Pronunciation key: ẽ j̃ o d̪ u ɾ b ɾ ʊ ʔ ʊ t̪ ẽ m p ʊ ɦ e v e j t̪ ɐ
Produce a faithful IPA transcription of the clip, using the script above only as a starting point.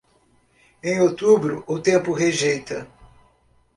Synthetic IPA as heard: ẽ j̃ o t̪ u b ɾ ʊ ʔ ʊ t̪ ẽ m p ʊ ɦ e ʒ e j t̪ ɐ